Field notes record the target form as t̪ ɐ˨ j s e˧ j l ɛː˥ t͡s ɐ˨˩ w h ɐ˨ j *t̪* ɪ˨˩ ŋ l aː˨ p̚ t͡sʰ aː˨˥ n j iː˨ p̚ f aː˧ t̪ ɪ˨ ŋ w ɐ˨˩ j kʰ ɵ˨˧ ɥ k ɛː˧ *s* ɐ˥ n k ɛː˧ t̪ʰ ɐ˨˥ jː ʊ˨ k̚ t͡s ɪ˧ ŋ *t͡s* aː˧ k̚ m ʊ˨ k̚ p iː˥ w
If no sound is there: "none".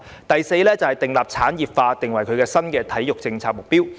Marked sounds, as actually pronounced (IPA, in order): t̪, s, t͡sʰ

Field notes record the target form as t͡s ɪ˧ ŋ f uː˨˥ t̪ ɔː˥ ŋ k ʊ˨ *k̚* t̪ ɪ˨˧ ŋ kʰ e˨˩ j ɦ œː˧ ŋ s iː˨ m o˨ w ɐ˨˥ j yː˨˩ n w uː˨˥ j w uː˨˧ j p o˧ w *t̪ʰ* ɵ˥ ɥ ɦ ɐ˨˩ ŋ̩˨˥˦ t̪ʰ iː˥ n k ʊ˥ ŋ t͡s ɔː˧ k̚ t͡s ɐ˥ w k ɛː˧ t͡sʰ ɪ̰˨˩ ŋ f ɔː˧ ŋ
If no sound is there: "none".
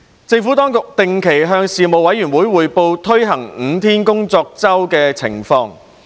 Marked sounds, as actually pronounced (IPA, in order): k̚, t̪ʰ

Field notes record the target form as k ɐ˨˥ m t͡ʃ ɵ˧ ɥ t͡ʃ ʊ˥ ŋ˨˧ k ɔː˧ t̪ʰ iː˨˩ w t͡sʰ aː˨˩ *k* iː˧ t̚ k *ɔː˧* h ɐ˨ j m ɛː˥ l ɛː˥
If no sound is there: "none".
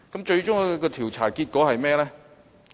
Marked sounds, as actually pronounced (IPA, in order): k, ɔː˨˥

